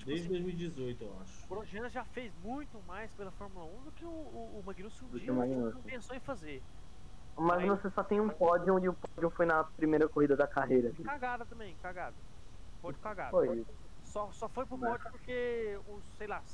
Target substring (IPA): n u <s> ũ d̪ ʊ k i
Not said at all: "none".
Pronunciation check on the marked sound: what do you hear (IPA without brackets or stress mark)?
s